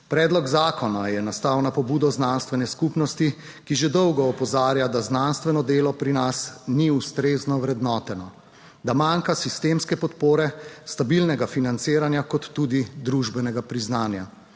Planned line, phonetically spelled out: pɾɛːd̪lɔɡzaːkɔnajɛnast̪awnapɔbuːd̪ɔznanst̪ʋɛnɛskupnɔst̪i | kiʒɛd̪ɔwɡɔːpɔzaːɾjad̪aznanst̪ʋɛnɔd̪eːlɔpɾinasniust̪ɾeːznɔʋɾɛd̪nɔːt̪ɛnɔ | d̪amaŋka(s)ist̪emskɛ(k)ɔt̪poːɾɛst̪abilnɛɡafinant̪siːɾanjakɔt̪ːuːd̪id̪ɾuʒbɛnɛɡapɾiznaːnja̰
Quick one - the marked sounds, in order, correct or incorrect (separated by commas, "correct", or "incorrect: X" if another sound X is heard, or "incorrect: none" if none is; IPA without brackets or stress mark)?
correct, incorrect: p